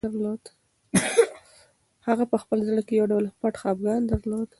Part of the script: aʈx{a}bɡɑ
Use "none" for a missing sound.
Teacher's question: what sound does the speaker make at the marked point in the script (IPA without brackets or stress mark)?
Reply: ɑ